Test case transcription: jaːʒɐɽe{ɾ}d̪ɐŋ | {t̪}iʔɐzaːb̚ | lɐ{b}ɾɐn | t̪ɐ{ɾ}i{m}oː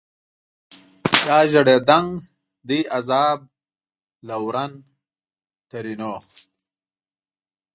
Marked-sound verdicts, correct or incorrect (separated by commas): incorrect, incorrect, incorrect, correct, incorrect